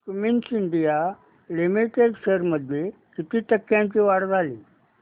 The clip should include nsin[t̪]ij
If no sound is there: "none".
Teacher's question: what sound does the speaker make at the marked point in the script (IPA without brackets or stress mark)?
d̪